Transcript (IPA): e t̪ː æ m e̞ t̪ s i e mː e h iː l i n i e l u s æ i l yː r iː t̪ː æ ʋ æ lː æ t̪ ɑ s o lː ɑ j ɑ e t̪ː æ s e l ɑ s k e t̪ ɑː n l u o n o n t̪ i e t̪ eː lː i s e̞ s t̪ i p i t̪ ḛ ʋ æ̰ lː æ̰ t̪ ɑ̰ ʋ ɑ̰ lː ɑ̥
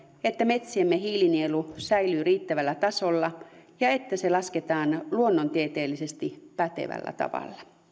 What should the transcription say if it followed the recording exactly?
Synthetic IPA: e t̪ː æ m e̞ t̪ s i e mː e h iː l i n i e l u s æ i l yː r iː t̪ː æ ʋ æ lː æ t̪ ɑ s o lː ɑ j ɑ e t̪ː æ s e l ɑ s k e t̪ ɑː n l u o nː o n t̪ i e t̪ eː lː i s e̞ s t̪ i p æ t̪ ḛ ʋ æ̰ lː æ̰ t̪ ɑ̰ ʋ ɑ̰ lː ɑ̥